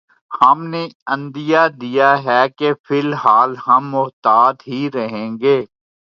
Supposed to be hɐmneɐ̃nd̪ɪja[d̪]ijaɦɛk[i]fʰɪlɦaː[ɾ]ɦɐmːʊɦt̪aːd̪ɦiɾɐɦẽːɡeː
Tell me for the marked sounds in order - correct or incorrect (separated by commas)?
correct, incorrect, incorrect